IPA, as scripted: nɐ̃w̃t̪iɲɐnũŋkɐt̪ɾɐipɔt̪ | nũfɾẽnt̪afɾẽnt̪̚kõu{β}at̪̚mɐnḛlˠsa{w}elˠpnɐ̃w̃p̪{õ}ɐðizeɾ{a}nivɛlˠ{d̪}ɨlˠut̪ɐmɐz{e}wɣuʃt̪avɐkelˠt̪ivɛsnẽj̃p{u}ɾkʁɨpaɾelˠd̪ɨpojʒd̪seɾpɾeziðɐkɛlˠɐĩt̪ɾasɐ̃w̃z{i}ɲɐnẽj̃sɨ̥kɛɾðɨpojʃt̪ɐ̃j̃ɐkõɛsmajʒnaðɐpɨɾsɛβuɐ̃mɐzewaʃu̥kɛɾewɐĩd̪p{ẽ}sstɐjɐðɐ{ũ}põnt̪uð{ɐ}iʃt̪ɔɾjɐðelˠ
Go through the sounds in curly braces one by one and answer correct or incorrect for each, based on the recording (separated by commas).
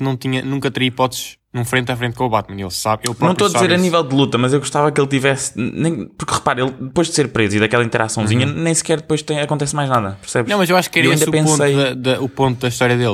correct, incorrect, incorrect, incorrect, correct, correct, correct, correct, correct, incorrect, correct